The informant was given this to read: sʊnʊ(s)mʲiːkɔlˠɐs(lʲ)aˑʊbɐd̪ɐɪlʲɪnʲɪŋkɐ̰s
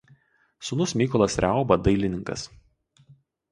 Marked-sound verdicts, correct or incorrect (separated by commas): correct, incorrect